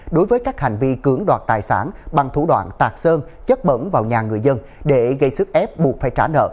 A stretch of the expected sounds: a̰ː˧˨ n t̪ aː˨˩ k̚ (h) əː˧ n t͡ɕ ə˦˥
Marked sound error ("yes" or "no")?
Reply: yes